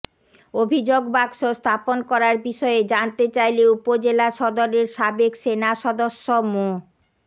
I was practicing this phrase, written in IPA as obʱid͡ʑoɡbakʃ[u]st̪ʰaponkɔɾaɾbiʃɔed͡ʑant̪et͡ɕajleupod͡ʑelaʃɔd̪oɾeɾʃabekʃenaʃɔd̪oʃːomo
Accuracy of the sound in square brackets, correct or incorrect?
incorrect